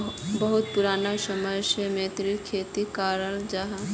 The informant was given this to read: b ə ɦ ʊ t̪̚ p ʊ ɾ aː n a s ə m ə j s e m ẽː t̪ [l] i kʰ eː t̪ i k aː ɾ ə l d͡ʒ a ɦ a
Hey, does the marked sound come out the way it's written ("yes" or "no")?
no